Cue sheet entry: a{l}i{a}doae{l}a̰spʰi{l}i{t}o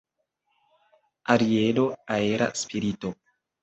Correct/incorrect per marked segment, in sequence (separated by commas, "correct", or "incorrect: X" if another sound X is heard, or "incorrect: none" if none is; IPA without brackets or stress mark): incorrect: ɾ, incorrect: e, incorrect: ɾ, incorrect: ɾ, correct